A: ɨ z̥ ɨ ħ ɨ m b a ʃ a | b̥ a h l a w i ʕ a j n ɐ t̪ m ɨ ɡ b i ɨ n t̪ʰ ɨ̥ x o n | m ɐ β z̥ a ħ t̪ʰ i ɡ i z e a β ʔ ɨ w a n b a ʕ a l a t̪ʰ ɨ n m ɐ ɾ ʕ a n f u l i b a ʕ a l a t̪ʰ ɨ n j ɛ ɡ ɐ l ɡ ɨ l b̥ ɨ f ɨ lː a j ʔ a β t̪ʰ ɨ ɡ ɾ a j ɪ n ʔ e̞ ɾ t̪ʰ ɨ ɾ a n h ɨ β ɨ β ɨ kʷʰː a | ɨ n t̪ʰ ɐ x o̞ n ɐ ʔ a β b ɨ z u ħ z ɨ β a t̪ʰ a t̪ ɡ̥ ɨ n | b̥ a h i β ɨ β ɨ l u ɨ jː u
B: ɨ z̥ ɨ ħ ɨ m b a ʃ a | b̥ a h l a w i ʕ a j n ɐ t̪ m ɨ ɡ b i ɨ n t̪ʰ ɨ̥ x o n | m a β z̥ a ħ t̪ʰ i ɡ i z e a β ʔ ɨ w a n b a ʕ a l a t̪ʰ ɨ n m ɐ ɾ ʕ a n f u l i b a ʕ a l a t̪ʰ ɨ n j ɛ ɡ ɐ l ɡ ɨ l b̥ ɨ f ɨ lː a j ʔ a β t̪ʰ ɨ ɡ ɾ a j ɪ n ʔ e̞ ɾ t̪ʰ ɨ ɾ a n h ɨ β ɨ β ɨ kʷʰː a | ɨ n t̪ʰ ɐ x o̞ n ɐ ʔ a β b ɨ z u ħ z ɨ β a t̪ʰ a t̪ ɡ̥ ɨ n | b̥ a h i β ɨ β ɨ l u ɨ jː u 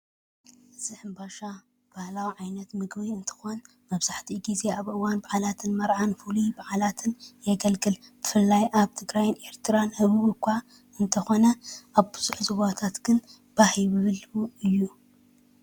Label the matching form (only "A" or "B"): A